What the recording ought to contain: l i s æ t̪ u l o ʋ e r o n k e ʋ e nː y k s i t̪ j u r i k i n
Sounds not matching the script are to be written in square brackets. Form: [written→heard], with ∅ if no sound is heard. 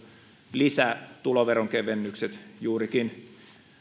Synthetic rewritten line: l i s æ t̪ u l o ʋ e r o [n→ŋ] k e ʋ e nː y k s [i→e] t̪ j [u→uː] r i k i n